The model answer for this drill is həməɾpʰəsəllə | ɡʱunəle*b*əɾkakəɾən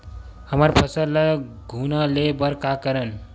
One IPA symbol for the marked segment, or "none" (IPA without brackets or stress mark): b